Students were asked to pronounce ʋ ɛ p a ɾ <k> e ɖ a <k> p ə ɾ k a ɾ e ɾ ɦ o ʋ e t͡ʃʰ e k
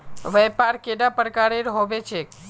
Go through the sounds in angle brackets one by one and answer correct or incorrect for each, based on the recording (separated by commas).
correct, incorrect